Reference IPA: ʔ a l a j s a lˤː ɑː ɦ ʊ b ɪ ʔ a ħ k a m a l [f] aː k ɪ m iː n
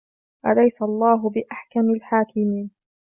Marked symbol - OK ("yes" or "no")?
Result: no